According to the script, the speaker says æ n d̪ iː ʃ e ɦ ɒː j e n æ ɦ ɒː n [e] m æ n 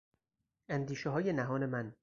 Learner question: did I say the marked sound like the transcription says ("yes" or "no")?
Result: yes